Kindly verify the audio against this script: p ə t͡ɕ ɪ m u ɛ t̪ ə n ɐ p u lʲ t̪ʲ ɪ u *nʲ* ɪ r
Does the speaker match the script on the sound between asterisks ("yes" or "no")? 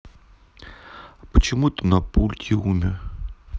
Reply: no